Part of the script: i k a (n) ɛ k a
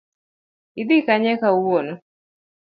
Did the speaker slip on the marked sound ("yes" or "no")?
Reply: yes